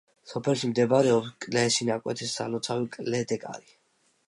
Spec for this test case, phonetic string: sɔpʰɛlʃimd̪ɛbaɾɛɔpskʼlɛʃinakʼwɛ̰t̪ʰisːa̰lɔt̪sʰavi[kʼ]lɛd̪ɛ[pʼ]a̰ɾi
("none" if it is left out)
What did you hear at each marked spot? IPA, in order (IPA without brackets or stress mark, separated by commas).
kʼ, kʼ